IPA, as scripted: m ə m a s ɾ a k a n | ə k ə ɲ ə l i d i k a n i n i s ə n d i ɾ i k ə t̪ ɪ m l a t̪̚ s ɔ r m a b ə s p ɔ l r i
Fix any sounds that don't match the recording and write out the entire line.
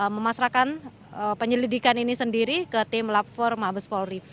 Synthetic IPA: m ə m a s ɾ a k a n | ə p ə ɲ ə l i d i k a n i n i s ə n d i ɾ i k ə t̪ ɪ m l a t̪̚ f ɔ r m a b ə s p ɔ l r i